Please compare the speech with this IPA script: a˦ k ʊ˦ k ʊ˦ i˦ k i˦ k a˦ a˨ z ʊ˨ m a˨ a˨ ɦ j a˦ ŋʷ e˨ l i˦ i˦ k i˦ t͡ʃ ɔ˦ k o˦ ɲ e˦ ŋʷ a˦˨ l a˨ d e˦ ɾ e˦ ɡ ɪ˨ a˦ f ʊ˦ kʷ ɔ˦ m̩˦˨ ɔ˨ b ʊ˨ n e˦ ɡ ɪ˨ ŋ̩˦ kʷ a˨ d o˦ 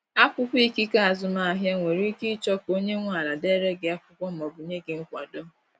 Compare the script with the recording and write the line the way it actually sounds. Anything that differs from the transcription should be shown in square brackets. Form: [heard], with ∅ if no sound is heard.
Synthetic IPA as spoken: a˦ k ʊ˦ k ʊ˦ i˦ k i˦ k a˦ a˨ z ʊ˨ m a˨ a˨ ɦ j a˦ ŋʷ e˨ [ɾ] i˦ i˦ k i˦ t͡ʃ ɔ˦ k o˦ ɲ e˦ ŋʷ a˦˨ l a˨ d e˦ ɾ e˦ ɡ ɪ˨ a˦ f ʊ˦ kʷ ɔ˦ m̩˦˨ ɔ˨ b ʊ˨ [ɲ] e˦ ɡ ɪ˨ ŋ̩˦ kʷ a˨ d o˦